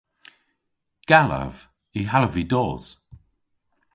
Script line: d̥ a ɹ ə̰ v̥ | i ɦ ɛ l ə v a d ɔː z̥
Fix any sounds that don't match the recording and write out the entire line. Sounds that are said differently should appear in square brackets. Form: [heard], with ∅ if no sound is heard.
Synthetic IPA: [ɡ̥] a [l] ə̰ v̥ | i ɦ [a] l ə v [i] d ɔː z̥